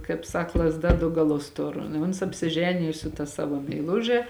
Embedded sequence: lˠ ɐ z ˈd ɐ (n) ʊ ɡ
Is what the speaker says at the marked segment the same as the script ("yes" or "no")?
no